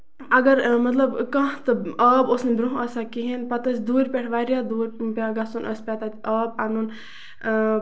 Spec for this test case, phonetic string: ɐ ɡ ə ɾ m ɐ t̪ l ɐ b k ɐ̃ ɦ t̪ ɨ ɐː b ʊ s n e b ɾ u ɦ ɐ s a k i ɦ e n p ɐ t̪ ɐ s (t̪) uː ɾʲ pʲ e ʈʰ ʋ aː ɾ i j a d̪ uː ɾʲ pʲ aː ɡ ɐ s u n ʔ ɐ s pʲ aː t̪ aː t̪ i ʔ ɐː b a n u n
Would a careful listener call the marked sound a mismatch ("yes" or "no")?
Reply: yes